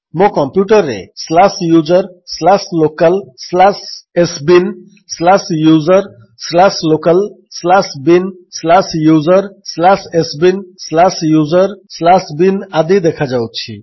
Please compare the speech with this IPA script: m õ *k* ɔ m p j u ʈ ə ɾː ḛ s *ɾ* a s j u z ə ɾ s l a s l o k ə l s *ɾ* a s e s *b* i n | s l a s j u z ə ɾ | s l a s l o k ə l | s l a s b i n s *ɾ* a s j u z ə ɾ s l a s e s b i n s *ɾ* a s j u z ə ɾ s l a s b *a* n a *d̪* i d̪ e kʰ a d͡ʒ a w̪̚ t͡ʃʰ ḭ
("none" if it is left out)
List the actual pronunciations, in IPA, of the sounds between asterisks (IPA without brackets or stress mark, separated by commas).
k, l, l, b, l, l, i, d̪